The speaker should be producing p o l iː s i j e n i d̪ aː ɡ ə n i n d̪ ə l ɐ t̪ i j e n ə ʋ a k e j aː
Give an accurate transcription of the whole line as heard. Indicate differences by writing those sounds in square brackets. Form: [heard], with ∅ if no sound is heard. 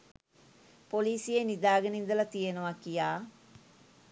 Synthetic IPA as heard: p o l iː s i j e n i d̪ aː ɡ ə n i n d̪ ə l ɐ t̪ i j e n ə ʋ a k [i] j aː